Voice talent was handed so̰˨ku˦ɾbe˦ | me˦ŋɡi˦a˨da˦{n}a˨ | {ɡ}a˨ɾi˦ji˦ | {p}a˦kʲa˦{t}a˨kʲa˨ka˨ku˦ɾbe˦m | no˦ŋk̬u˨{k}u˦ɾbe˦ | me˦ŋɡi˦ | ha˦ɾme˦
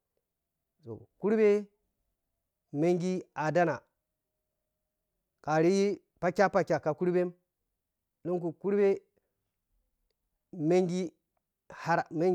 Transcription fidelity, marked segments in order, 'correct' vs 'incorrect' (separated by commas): correct, incorrect, correct, incorrect, correct